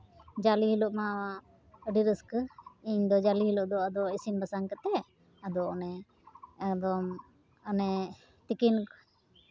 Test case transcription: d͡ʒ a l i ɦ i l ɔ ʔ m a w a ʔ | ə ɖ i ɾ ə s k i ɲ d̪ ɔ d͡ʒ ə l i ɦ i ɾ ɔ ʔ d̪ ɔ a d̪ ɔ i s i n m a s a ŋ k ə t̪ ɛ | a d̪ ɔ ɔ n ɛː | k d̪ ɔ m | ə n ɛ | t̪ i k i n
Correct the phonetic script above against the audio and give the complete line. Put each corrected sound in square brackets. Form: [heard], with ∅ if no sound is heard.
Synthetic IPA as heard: d͡ʒ a l i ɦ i l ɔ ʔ m a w a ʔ | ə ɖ i ɾ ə s k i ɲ d̪ ɔ d͡ʒ [a] l i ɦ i [l] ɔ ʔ d̪ ɔ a d̪ ɔ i s i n [b] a s a ŋ k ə t̪ ɛ | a d̪ ɔ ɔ n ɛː | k d̪ ɔ m | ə n ɛ | t̪ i k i n

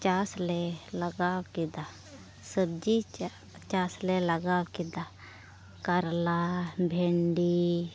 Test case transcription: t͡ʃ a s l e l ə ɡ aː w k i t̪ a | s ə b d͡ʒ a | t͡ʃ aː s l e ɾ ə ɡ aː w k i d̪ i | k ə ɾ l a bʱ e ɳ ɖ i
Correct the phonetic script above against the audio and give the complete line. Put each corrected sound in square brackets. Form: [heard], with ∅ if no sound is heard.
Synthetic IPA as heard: t͡ʃ a s l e l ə ɡ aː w k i [d̪] a | s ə b d͡ʒ [i] | t͡ʃ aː s l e [l] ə ɡ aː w k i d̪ [a] | k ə ɾ l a bʱ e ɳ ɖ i

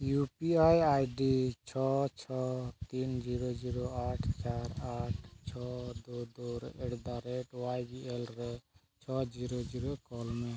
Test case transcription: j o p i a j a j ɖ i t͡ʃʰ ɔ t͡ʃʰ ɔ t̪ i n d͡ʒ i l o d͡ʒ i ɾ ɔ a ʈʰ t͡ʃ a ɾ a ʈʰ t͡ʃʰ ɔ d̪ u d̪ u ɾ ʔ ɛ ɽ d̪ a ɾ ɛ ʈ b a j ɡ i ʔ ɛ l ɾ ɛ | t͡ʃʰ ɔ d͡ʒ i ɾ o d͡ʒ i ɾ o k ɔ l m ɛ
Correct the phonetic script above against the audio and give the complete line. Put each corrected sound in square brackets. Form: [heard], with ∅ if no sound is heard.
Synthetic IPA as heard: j [u] p i a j a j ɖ i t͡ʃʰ ɔ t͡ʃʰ ɔ t̪ i n d͡ʒ i [ɾ] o d͡ʒ i ɾ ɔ a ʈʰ t͡ʃ a ɾ a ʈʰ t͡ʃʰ ɔ d̪ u d̪ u ɾ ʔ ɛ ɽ d̪ a ɾ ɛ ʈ [w] a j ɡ i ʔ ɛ l ɾ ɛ | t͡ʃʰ ɔ d͡ʒ i ɾ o d͡ʒ i ɾ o k ɔ l m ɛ

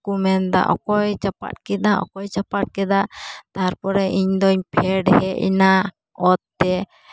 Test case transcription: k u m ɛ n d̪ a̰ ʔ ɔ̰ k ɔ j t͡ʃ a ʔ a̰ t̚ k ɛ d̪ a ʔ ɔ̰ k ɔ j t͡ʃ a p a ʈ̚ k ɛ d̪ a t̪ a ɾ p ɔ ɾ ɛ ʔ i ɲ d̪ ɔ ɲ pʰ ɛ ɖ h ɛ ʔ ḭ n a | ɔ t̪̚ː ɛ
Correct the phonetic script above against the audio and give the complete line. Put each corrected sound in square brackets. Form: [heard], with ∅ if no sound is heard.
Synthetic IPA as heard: k u m ɛ n d̪ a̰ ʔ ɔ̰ k ɔ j t͡ʃ a [p] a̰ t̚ k ɛ d̪ a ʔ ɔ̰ k ɔ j t͡ʃ a p a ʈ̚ k ɛ d̪ a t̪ a ɾ p ɔ ɾ ɛ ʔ i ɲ d̪ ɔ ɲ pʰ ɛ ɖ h ɛ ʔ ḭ n a | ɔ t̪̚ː ɛ

